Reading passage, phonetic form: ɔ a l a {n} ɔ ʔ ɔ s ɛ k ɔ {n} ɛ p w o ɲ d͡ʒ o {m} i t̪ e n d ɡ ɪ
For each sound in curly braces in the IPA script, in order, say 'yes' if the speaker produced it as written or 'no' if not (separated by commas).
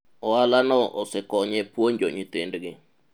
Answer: yes, no, no